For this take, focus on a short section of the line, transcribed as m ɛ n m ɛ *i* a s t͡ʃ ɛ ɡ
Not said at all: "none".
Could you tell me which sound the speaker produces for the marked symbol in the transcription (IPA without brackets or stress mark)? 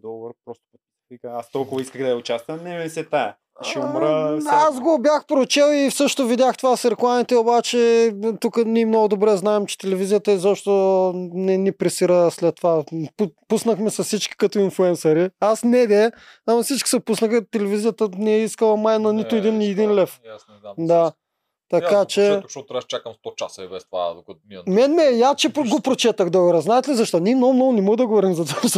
j